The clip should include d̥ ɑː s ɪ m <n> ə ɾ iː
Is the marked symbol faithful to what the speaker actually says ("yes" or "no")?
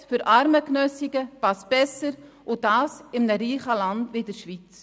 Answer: yes